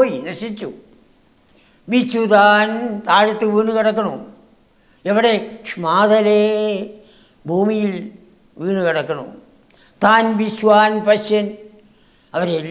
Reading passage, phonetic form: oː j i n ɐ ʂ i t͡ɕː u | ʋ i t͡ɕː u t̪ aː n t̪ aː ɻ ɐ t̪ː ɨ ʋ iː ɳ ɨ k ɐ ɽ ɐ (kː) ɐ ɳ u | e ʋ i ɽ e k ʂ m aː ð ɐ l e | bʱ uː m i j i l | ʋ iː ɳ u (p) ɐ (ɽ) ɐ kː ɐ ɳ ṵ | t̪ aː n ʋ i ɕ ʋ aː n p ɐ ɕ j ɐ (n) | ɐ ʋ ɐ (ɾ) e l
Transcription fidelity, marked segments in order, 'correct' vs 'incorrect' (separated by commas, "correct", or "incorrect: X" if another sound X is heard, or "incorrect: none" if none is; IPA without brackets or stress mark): correct, incorrect: k, correct, correct, correct